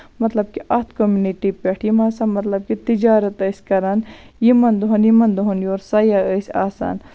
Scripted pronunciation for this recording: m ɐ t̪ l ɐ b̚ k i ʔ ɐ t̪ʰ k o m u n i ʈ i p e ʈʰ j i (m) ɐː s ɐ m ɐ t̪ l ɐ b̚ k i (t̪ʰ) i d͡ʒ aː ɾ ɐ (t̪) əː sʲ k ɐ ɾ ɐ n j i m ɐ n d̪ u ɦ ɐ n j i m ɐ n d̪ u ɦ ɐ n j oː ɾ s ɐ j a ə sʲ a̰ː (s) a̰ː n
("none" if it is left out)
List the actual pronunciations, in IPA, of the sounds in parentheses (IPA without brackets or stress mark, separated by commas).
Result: m, t̪, t̪, s